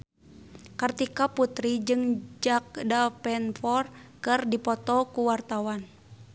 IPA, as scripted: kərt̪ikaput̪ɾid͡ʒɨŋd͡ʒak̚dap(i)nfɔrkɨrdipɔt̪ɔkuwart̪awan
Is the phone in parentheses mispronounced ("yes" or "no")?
yes